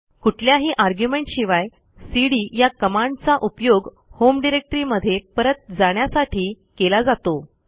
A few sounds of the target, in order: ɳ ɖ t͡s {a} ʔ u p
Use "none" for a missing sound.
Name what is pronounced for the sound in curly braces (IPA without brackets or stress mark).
a